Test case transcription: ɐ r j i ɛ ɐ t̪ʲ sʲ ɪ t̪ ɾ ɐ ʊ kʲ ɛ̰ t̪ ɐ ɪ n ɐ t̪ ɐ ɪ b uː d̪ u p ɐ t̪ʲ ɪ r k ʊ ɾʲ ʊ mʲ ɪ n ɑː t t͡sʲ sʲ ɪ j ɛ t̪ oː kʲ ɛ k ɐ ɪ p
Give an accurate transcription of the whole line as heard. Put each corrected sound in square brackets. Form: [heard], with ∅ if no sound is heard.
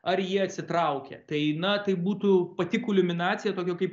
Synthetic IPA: ɐ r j i ɛ ɐ t̪ʲ sʲ ɪ t̪ ɾ ɐ ʊ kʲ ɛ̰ t̪ ɐ ɪ n ɐ t̪ ɐ ɪ b uː [t̪] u p ɐ t̪ʲ ɪ [∅] k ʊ [lʲ] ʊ mʲ ɪ n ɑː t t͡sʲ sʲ ɪ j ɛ t̪ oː kʲ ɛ k ɐ ɪ p

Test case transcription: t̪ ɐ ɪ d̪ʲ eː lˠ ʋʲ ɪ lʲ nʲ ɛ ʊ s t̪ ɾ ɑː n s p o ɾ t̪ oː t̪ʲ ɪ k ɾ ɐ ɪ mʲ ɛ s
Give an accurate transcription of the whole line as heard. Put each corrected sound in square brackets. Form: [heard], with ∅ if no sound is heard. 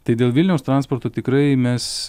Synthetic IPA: t̪ ɐ ɪ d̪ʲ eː lˠ ʋʲ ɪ lʲ nʲ ɛ ʊ s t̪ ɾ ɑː n s p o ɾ t̪ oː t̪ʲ ɪ k ɾ ɐ ɪ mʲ ɛ s

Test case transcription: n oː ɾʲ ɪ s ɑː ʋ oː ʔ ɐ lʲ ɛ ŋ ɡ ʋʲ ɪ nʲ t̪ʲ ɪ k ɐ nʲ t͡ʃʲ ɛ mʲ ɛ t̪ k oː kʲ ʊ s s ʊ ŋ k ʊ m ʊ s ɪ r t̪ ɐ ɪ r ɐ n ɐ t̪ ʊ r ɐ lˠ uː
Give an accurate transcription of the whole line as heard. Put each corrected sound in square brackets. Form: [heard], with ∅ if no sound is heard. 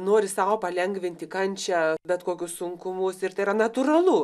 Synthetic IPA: n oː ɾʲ ɪ s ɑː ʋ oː [p] ɐ lʲ ɛ ŋ ɡ ʋʲ ɪ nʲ t̪ʲ ɪ k ɐ nʲ t͡ʃʲ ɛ [bʲ] ɛ t̪ k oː kʲ ʊ s s ʊ ŋ k ʊ m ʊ s ɪ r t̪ ɐ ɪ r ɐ n ɐ t̪ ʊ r ɐ lˠ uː

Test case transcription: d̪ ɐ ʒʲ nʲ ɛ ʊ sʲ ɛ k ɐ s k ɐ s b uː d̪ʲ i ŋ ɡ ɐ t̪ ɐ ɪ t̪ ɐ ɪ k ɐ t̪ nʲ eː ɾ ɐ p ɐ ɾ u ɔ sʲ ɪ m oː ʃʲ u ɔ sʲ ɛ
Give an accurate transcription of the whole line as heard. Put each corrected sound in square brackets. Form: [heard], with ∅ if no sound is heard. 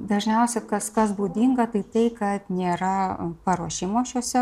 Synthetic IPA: d̪ ɐ ʒʲ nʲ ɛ ʊ sʲ ɛ k ɐ s k ɐ s b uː d̪ʲ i ŋ ɡ ɐ t̪ ɐ ɪ t̪ ɐ ɪ k ɐ t̪ nʲ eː ɾ ɐ p ɐ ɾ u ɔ [ʃʲ] ɪ m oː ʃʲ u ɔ sʲ ɛ

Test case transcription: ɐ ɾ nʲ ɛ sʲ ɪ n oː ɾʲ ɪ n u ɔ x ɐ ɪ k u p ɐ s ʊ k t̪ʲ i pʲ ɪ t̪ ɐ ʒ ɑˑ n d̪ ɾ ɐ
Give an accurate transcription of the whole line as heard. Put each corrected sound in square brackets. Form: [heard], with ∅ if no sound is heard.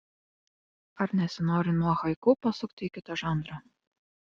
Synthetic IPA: ɐ ɾ nʲ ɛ sʲ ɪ n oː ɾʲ ɪ n u ɔ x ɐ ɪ k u p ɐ s ʊ k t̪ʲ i [kʲ] ɪ t̪ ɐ ʒ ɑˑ n d̪ ɾ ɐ

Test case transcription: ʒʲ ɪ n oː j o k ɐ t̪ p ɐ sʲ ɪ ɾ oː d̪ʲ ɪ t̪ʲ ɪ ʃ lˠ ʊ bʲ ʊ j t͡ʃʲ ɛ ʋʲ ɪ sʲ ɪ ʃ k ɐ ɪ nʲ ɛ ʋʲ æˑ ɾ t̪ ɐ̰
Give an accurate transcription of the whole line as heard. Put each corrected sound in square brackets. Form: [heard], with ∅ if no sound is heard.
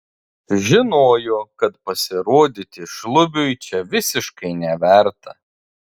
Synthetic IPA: ʒʲ ɪ n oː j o k ɐ t̪ p ɐ sʲ ɪ ɾ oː d̪ʲ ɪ t̪ʲ ɪ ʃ lˠ ʊ bʲ ʊ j t͡ʃʲ ɛ ʋʲ ɪ sʲ ɪ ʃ k ɐ ɪ nʲ ɛ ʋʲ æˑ ɾ t̪ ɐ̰

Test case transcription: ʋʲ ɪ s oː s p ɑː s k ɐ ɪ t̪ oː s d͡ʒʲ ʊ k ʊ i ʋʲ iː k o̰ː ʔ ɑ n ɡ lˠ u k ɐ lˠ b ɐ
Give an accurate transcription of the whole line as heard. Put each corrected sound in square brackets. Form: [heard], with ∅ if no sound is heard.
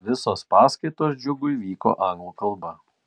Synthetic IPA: ʋʲ ɪ s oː s p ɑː s k ɐ ɪ t̪ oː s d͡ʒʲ ʊ [ɡ] ʊ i ʋʲ iː k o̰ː ʔ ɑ [ŋ] ɡ lˠ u k ɐ lˠ b ɐ

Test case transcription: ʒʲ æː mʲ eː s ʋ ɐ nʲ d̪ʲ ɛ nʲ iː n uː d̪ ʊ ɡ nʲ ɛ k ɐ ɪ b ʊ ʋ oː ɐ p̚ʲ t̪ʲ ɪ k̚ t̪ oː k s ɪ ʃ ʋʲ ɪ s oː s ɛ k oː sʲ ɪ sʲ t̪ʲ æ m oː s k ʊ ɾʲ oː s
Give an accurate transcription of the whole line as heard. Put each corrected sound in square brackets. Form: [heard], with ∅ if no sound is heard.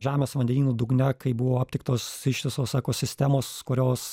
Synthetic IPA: ʒʲ æː mʲ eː s ʋ ɐ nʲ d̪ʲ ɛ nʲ iː n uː d̪ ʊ ɡ nʲ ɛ k ɐ ɪ b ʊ ʋ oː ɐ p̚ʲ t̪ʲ ɪ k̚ t̪ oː [∅] s ɪ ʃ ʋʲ ɪ s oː s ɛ k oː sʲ ɪ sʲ t̪ʲ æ m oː s k ʊ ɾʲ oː s

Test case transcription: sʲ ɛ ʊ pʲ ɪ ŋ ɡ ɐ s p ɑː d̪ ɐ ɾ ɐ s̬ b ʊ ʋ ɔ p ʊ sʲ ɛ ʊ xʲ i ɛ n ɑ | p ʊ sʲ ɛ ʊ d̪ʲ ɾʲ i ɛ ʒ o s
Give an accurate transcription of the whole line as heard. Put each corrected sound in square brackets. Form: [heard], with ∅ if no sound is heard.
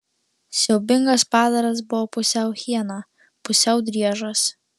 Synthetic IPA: sʲ ɛ ʊ [bʲ] ɪ ŋ ɡ ɐ s p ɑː d̪ ɐ ɾ ɐ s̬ b ʊ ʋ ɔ p ʊ sʲ ɛ ʊ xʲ i ɛ n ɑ | p ʊ sʲ ɛ ʊ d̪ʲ ɾʲ i ɛ ʒ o s

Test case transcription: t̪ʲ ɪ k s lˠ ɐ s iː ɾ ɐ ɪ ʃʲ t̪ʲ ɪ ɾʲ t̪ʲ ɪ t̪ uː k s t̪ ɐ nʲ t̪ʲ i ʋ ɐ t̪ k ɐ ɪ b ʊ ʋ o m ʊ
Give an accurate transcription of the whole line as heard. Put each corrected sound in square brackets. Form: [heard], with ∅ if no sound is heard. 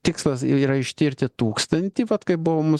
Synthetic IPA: t̪ʲ ɪ k s lˠ ɐ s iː ɾ ɐ ɪ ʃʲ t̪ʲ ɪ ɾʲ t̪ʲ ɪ t̪ uː k s t̪ ɐ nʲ t̪ʲ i ʋ ɐ t̪ k ɐ ɪ b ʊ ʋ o m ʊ

